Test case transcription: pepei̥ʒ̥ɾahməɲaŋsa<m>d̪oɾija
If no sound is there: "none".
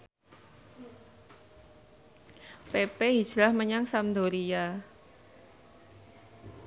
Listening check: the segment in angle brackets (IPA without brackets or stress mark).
m